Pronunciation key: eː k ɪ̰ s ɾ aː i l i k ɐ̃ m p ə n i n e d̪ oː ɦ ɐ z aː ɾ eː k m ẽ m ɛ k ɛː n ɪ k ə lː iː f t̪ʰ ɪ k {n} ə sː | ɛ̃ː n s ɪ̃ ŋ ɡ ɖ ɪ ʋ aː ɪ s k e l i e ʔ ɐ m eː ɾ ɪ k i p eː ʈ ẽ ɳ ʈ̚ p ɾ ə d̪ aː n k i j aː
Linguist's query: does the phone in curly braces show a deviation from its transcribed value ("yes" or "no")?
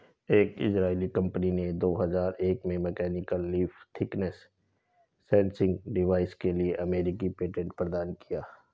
no